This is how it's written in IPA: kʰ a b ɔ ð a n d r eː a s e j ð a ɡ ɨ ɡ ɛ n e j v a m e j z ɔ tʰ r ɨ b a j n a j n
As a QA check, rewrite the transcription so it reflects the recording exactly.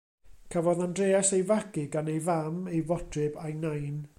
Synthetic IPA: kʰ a v ɔ ð a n d r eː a s e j v a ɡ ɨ ɡ a n e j v a m e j v ɔ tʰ r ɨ b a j n a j n